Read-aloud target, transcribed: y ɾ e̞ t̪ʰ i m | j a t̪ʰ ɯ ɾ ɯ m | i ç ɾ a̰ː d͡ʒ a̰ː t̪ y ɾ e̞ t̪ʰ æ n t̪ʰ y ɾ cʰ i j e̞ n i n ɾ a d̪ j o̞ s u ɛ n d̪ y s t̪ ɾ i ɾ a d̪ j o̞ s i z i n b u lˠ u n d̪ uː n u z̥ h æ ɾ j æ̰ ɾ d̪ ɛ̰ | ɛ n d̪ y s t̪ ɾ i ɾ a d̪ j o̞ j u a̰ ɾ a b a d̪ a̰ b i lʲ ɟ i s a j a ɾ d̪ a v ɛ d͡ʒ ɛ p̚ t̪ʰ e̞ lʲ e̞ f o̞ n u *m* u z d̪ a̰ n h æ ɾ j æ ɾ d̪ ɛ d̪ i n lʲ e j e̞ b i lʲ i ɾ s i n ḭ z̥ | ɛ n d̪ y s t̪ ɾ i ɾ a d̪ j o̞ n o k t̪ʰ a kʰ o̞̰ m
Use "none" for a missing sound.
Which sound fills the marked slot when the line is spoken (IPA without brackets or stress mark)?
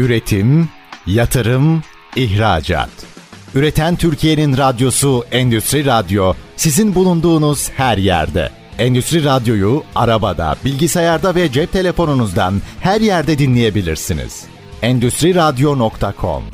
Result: n